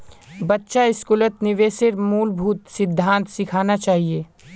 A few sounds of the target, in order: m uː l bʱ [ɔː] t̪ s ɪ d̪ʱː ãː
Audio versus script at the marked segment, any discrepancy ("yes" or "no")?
yes